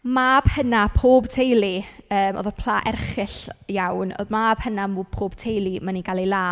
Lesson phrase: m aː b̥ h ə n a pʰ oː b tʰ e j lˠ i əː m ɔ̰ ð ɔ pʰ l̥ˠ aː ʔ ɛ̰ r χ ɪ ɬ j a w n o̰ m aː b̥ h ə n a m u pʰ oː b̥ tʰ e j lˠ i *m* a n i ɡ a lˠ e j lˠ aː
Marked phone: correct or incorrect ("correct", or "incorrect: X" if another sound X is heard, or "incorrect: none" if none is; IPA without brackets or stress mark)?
correct